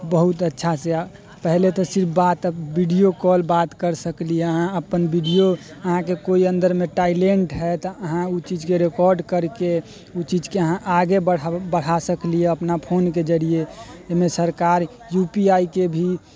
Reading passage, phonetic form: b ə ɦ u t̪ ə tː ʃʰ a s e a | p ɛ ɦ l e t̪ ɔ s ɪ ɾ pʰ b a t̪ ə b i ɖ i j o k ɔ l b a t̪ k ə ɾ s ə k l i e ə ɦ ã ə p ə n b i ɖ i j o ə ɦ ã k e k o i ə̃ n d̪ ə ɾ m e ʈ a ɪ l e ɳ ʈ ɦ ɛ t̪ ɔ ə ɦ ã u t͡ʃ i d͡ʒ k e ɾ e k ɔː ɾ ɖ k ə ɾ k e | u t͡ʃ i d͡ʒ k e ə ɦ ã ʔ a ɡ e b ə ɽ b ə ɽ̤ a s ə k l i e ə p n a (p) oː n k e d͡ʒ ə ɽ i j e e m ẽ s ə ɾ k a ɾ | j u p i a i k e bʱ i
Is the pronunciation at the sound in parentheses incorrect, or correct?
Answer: incorrect